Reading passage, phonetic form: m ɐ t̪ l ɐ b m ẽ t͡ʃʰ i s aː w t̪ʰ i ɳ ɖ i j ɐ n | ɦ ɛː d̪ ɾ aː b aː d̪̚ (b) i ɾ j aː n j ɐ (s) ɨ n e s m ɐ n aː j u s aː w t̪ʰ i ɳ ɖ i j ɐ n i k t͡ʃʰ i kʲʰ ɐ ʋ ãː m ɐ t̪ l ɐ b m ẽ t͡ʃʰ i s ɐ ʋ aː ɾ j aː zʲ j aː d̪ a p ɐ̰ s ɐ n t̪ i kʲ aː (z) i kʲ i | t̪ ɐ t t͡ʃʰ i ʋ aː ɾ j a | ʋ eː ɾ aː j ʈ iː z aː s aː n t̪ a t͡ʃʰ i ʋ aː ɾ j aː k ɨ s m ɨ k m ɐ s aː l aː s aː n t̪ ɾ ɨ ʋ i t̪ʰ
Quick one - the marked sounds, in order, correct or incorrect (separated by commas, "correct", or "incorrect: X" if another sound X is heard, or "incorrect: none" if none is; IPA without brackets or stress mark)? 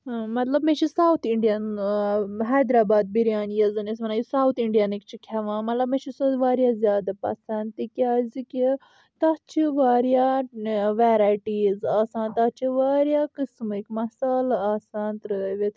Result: correct, incorrect: z, correct